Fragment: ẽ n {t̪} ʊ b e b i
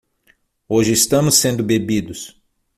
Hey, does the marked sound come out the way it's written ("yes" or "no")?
no